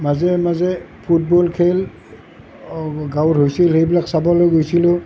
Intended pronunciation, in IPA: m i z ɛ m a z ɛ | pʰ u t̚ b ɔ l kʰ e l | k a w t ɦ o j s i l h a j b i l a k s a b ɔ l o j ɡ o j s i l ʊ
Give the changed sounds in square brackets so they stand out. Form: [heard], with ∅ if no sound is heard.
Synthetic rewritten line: m [a] z ɛ m a z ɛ | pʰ u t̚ b ɔ l kʰ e l | [ɡ] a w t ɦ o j s i l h [e] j b i l a k s a b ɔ l o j ɡ o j s i l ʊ